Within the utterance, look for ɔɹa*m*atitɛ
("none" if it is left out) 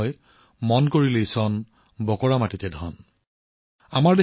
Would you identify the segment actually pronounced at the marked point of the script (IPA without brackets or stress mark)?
m